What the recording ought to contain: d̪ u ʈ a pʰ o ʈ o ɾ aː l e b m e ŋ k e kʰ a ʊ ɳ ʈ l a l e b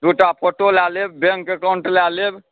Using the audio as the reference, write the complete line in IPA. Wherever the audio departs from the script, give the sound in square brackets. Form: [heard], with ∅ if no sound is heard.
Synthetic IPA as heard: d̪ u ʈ a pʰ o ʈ o [l] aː l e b [b] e ŋ k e [k] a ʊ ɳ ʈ l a l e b